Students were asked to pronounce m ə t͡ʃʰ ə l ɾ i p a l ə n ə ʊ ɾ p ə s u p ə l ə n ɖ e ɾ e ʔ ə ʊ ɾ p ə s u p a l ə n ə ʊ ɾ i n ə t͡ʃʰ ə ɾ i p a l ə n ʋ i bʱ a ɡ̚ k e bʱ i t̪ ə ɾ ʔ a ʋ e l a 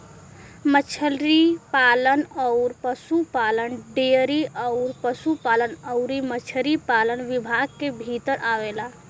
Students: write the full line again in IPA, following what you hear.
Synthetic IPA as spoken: m ə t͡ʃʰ ə l ɾ i p a l ə n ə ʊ ɾ p ə s u p a l ə n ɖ e ɾ i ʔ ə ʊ ɾ p ə s u p a l ə n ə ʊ ɾ i m ə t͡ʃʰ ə ɾ i p a l ə n ʋ i bʱ a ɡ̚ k e bʱ i t̪ ə ɾ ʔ a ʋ e l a